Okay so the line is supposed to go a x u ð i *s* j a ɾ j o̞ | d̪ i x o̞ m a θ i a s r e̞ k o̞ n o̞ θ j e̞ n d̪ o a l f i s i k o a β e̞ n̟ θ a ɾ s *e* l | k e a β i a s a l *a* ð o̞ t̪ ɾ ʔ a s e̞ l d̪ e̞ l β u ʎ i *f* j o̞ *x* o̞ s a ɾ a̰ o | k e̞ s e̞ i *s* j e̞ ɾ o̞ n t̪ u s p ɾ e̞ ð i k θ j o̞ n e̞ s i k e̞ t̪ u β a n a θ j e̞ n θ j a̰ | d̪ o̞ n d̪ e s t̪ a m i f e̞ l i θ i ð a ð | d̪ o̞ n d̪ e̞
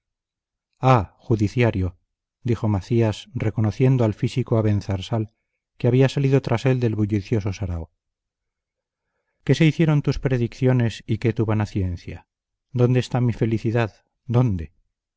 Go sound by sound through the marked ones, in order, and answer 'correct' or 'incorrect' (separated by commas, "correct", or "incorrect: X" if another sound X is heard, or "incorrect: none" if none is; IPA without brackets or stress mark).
incorrect: θ, incorrect: a, incorrect: i, incorrect: θ, incorrect: s, incorrect: θ